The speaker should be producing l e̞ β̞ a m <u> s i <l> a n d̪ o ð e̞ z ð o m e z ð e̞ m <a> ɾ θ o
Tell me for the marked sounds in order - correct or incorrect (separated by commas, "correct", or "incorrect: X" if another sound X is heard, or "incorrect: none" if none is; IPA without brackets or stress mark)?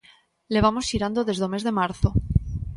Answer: incorrect: o, incorrect: ɾ, correct